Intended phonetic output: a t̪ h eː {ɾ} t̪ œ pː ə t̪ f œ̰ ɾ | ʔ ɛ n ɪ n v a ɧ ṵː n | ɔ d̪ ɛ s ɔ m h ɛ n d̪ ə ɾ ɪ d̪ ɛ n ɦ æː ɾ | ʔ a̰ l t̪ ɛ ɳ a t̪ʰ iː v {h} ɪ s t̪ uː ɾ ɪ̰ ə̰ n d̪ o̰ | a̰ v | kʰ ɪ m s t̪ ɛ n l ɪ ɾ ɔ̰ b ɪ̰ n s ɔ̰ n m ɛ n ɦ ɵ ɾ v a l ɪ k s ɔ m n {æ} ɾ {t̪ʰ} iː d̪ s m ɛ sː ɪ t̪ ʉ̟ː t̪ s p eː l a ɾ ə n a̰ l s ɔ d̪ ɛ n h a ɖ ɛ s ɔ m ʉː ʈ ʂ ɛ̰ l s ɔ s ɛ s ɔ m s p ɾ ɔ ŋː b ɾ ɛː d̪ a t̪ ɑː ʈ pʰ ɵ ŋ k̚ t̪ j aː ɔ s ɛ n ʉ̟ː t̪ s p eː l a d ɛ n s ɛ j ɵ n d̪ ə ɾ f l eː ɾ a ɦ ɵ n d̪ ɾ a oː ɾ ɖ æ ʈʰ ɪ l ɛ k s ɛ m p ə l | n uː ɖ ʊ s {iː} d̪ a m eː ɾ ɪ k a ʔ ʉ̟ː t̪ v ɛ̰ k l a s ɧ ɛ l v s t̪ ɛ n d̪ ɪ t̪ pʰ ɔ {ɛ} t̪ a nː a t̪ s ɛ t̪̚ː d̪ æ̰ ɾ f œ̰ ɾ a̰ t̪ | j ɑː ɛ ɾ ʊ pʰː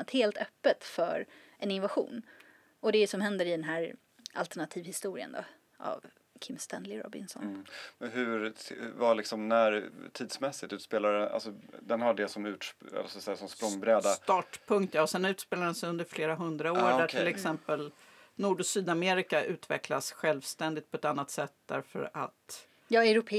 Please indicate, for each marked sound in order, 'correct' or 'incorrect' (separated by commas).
incorrect, correct, correct, correct, incorrect, correct